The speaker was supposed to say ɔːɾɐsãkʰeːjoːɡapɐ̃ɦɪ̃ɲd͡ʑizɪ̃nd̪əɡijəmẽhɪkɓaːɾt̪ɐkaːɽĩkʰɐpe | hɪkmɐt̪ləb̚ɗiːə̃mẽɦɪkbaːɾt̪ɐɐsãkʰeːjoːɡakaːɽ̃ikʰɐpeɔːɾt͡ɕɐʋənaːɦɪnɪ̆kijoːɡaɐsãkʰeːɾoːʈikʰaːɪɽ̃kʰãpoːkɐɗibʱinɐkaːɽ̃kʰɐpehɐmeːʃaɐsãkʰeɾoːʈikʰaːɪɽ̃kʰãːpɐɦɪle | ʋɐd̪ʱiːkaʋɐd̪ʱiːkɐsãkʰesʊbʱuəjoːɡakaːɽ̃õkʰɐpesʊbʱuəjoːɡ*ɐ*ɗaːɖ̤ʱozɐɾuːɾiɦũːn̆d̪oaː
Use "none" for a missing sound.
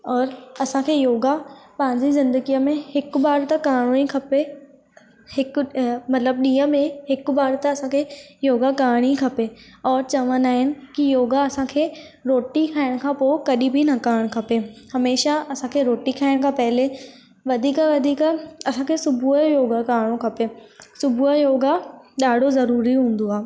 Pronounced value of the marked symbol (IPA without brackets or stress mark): a